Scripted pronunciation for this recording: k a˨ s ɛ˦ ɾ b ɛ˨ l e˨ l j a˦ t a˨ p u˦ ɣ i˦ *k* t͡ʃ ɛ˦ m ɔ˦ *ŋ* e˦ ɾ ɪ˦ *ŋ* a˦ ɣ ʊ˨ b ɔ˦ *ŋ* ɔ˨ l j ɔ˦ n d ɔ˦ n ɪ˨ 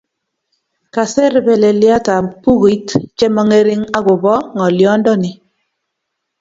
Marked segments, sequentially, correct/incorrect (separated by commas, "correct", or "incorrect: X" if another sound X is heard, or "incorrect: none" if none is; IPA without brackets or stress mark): incorrect: t, correct, correct, correct